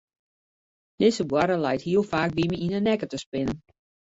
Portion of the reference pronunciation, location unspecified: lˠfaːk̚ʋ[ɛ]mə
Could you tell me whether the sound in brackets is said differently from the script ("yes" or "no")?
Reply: yes